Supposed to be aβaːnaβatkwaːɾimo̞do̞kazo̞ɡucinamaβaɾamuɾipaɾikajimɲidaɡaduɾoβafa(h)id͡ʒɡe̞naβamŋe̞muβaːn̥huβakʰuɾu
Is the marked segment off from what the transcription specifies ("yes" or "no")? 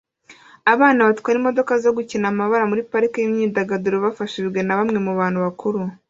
yes